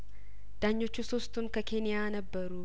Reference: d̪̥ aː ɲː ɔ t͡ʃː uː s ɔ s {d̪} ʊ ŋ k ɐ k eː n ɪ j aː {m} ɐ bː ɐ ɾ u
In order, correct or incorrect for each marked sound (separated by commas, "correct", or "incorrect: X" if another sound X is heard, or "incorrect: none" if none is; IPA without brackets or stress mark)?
incorrect: t̪, incorrect: n